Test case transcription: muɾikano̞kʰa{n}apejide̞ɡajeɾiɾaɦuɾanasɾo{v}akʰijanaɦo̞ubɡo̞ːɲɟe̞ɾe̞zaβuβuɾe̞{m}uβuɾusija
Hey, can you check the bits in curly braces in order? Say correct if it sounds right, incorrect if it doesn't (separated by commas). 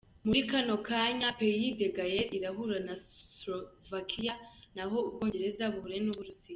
incorrect, correct, incorrect